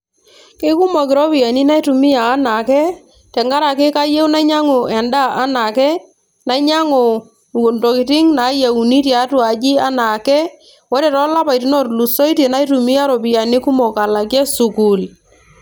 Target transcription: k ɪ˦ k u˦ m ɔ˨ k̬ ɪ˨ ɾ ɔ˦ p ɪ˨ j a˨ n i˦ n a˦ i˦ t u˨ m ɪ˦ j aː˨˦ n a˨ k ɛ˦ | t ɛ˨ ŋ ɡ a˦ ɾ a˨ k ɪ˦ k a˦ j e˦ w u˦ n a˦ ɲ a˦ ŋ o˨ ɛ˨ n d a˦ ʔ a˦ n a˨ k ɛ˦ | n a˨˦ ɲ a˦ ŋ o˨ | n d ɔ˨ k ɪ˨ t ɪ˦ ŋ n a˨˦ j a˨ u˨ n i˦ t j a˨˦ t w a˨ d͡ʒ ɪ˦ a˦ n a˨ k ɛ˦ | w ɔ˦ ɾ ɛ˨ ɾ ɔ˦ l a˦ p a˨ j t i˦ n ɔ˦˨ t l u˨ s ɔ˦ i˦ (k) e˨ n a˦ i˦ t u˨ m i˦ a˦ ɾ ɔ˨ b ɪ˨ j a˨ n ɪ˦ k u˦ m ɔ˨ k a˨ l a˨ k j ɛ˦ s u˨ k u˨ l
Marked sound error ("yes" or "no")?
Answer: yes